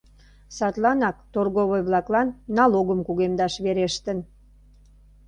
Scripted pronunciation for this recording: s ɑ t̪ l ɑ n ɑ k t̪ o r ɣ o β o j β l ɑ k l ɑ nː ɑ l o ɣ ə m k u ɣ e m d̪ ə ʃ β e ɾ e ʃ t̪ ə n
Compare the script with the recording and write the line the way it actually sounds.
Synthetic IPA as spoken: s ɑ t̪ l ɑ n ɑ k t̪ o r ɣ o β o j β l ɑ k l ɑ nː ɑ l o ɣ ə m k u ɣ e m d̪ ɑ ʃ β e ɾ e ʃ t̪ ə n